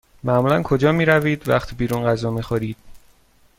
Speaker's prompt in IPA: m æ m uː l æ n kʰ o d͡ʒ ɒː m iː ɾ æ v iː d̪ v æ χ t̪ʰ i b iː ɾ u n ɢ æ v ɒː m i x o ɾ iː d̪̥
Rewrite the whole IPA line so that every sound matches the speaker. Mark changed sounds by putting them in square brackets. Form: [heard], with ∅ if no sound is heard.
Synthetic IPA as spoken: m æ m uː l æ n kʰ o d͡ʒ ɒː m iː ɾ æ v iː d̪ v æ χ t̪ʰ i b iː ɾ u n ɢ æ [z] ɒː m i x o ɾ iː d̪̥